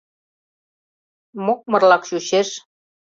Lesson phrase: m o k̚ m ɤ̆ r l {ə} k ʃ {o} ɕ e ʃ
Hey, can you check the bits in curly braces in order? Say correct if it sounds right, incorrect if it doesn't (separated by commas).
incorrect, incorrect